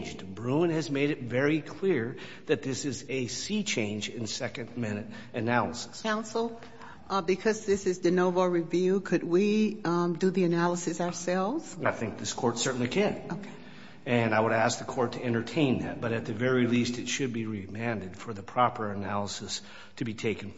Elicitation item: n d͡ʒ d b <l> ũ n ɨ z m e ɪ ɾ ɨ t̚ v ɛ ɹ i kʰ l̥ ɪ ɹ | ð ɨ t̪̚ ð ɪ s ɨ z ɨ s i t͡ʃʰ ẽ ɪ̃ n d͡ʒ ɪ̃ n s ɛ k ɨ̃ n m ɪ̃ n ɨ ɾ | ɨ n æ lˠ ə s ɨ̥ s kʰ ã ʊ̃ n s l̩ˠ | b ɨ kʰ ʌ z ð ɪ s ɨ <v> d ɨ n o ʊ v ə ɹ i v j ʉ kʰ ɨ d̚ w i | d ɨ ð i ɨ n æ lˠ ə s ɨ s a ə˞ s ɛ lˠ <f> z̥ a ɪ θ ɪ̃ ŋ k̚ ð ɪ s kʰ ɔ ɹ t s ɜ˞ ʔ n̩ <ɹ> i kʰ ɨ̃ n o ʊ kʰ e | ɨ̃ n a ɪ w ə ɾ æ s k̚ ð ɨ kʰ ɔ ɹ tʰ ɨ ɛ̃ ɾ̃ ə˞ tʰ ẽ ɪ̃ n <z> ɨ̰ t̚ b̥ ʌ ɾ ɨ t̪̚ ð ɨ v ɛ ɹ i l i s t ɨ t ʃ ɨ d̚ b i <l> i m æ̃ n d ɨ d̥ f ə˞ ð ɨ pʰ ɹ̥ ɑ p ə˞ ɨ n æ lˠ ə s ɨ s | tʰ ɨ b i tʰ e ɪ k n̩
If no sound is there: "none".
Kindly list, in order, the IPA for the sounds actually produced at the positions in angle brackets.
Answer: ɹ, z, v, l, ð, ɹ

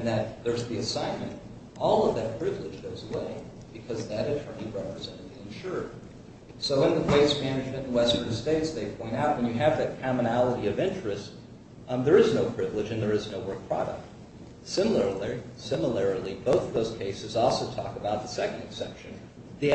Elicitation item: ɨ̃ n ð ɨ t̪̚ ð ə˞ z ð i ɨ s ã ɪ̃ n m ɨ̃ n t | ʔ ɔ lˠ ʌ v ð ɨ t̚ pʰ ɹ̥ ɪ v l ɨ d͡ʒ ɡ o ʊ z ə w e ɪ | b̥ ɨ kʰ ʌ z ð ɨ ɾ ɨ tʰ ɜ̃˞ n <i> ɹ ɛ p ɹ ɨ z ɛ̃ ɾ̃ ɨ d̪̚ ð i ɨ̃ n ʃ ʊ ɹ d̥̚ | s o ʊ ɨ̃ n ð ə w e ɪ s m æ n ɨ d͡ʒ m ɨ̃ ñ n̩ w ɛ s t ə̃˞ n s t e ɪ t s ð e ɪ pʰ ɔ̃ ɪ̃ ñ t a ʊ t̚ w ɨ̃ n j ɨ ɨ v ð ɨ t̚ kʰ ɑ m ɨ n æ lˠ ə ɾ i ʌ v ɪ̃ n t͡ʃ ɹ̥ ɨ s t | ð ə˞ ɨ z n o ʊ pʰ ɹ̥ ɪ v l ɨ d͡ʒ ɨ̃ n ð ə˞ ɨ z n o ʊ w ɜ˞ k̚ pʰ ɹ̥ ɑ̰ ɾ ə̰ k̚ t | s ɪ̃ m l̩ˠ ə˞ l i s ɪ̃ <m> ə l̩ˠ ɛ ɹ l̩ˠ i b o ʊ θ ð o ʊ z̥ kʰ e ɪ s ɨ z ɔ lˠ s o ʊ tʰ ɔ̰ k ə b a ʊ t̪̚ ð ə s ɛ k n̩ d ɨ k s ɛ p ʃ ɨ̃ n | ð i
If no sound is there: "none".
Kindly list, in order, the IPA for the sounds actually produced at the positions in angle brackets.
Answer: i, m

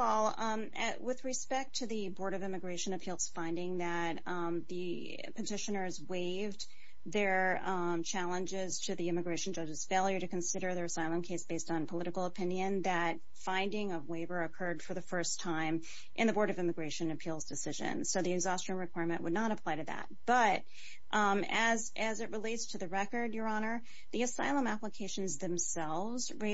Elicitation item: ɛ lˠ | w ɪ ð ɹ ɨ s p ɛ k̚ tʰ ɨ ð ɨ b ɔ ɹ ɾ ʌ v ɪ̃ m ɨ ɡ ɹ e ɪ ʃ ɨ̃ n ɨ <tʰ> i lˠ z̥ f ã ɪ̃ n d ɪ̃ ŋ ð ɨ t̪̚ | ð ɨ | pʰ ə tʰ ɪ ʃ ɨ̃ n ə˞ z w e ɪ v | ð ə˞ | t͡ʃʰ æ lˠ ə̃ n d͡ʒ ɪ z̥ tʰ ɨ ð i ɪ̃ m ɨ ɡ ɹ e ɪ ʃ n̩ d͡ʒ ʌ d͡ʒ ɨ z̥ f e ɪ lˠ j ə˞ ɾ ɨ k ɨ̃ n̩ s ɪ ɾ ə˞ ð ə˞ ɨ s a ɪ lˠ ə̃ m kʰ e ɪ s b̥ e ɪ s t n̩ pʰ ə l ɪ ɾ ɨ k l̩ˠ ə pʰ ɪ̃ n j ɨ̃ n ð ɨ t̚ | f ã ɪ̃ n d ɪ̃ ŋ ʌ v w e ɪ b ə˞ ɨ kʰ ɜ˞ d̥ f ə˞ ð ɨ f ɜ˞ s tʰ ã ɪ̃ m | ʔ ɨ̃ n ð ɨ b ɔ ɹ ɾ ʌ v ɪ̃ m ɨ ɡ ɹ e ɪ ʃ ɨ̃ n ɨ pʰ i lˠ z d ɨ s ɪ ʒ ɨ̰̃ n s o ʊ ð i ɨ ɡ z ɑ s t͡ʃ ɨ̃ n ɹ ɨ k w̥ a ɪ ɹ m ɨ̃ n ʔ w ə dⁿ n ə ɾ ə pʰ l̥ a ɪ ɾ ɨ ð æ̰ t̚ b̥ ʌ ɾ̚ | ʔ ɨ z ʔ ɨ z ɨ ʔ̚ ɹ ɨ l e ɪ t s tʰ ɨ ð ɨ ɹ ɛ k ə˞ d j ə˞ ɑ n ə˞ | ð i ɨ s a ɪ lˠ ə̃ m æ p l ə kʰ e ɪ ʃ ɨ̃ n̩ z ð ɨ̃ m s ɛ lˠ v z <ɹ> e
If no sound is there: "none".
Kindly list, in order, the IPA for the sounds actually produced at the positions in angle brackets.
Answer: pʰ, ɹ

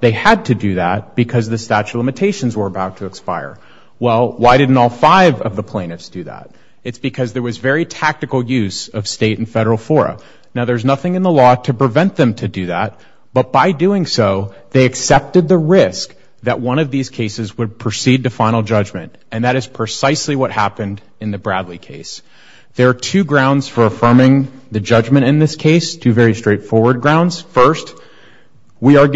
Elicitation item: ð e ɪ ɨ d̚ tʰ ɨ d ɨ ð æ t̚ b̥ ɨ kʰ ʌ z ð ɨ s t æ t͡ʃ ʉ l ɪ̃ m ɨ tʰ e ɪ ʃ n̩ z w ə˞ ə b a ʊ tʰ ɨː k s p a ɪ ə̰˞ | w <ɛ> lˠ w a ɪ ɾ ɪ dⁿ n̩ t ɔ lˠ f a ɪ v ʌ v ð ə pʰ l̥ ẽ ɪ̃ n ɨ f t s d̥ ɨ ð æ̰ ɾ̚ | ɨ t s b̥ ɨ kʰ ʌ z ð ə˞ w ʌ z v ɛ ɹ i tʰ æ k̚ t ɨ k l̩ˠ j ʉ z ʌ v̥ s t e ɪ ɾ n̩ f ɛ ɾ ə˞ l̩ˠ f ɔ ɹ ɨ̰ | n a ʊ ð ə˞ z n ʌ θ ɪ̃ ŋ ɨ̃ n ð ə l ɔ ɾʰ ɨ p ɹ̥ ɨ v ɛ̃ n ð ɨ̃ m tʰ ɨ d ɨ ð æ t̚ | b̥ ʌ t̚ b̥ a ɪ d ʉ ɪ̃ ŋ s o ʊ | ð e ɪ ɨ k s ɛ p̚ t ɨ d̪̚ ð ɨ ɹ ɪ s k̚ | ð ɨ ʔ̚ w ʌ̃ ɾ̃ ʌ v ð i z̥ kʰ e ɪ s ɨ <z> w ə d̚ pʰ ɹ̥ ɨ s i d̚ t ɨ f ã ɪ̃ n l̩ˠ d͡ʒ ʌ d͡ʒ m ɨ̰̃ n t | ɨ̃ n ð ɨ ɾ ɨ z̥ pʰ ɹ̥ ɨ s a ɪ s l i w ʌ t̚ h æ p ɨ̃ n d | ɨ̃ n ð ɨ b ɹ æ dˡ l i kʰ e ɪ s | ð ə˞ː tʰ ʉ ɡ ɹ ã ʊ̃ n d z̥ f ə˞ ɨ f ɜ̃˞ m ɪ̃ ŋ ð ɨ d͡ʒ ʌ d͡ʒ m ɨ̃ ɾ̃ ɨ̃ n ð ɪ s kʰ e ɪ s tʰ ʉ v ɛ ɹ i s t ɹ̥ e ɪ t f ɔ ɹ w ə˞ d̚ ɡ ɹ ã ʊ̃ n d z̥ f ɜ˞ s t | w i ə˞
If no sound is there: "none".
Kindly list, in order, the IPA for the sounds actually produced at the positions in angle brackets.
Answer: ɛ, z

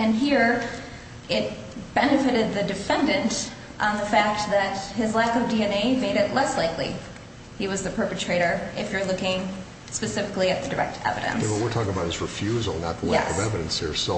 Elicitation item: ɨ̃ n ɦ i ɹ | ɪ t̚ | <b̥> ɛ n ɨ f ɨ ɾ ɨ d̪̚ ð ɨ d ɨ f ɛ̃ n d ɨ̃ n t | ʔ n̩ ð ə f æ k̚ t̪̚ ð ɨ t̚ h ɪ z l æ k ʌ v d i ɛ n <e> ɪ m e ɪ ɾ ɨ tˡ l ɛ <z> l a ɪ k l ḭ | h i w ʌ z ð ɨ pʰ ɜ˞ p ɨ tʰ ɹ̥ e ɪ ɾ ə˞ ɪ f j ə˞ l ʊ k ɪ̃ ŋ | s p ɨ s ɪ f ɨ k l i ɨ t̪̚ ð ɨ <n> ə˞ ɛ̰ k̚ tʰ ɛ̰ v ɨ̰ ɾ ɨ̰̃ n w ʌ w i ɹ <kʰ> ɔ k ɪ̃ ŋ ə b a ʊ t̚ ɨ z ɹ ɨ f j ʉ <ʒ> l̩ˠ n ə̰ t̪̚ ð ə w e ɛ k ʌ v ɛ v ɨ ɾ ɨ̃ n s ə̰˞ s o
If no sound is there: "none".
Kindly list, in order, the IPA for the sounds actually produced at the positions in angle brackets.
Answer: b̥, e, s, d, tʰ, z

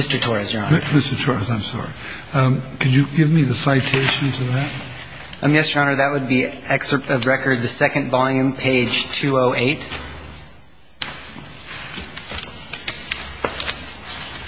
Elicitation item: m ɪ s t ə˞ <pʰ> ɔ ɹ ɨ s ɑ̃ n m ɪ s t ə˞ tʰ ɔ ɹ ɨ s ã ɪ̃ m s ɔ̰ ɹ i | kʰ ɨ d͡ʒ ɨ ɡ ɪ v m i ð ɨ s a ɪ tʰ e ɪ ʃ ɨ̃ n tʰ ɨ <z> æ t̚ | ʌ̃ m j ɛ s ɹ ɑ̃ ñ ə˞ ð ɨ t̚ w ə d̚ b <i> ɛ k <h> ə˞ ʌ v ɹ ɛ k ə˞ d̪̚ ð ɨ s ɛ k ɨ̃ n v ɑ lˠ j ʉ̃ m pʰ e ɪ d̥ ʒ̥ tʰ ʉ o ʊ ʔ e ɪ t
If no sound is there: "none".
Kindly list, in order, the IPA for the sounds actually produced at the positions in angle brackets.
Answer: tʰ, ð, i, s

